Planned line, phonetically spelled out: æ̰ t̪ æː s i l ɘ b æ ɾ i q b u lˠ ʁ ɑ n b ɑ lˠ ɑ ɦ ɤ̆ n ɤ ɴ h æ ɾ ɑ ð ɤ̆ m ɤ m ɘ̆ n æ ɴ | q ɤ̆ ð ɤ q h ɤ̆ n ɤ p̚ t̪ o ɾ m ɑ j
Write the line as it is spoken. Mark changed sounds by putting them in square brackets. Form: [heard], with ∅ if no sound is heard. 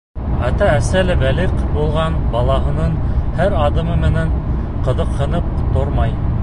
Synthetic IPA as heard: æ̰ t̪ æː s [æ] l ɘ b æ [l] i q b u lˠ ʁ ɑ n b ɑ lˠ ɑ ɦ ɤ̆ n ɤ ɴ h æ ɾ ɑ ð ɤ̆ m ɤ m ɘ̆ n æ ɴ | q ɤ̆ ð ɤ q h ɤ̆ n ɤ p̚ t̪ o ɾ m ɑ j